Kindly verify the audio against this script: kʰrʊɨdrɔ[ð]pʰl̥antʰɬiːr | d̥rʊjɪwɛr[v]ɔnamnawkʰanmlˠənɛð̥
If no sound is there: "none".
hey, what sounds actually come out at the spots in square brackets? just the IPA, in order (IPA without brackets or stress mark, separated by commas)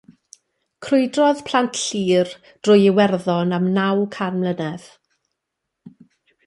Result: ð, ð